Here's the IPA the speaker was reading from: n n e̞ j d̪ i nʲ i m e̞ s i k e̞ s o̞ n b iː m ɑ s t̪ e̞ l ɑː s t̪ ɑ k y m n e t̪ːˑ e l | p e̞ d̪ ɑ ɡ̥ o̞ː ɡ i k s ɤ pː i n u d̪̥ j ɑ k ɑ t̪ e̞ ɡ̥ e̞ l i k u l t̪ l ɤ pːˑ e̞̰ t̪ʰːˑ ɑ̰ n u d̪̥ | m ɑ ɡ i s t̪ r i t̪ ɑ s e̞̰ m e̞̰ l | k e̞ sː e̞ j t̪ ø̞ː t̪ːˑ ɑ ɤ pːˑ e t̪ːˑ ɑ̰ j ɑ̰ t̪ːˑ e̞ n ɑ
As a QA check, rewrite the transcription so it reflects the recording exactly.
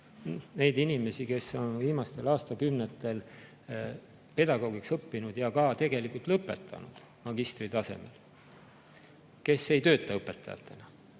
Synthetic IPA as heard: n n e̞ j d̪ i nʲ i m e̞ s i k e̞ s o̞ n v iː m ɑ s t̪ e̞ l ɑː s t̪ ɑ k y m n e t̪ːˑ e l | p e̞ d̪ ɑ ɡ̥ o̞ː ɡ i k s ɤ pː i n u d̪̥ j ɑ k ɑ t̪ e̞ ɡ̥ e̞ l i k u l t̪ l ɤ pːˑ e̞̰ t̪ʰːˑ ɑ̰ n u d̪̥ | m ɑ ɡ i s t̪ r i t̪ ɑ s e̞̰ m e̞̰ l | k e̞ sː e̞ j t̪ ø̞ː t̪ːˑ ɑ ɤ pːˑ e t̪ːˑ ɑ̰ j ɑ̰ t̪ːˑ e̞ n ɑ